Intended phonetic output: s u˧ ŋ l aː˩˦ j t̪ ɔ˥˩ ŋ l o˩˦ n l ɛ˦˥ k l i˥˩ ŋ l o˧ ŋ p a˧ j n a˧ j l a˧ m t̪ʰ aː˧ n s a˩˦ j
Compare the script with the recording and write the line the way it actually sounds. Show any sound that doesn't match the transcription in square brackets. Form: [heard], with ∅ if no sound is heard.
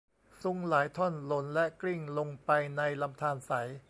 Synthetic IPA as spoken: s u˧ ŋ l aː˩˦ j [t̪ʰ] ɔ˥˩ [n] l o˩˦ n l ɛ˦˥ k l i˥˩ ŋ l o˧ ŋ p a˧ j n a˧ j l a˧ m t̪ʰ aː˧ n s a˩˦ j